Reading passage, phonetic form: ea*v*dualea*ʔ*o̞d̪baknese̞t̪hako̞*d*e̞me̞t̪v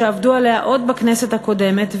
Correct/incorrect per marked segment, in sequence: correct, correct, correct

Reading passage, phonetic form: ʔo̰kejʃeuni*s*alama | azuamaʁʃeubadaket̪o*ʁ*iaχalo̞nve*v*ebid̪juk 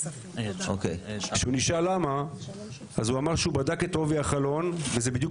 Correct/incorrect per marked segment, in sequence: incorrect, incorrect, incorrect

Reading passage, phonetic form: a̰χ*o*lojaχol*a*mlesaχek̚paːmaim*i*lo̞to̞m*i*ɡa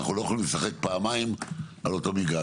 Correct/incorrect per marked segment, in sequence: incorrect, incorrect, incorrect, correct

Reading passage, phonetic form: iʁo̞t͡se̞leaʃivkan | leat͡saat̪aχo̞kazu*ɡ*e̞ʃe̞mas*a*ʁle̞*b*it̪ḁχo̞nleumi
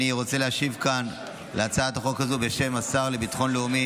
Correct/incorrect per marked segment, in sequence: incorrect, correct, correct

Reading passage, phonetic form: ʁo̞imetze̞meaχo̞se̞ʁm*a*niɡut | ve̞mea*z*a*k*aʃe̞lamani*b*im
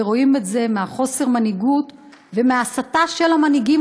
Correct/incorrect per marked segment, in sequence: correct, incorrect, incorrect, incorrect

